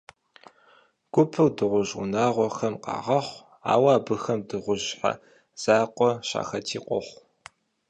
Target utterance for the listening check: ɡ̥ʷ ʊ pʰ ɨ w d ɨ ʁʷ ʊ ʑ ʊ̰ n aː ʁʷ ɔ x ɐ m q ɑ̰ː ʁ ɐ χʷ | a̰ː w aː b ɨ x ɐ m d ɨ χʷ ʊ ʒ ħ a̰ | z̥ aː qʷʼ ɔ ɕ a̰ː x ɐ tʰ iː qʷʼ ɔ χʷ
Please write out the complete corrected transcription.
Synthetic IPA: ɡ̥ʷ ʊ pʰ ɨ w d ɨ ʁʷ ʊ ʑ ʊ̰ n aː ʁʷ ɔ x ɐ m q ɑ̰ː ʁ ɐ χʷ | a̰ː w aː b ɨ x ɐ m d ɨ ʁʷ ʊ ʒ ħ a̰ | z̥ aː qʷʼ ɔ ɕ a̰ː x ɐ tʰ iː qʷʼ ɔ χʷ